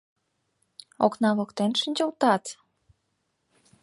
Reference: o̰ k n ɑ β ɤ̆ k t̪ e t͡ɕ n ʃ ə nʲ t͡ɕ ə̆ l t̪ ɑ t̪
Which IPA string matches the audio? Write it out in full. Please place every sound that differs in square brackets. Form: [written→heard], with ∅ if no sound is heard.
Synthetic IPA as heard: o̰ k n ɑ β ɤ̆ k t̪ e [t͡ɕ→∅] n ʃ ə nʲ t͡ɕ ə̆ l t̪ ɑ t̪